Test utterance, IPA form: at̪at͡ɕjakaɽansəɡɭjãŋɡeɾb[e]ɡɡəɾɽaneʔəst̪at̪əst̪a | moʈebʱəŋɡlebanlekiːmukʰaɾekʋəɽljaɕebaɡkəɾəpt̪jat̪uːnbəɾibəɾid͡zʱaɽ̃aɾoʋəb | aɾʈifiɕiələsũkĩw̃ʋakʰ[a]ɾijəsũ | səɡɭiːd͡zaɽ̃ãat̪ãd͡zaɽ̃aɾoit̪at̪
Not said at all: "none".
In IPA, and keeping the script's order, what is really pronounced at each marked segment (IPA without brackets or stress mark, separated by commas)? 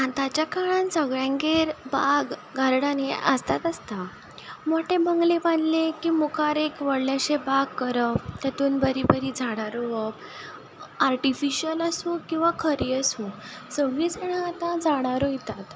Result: a, ə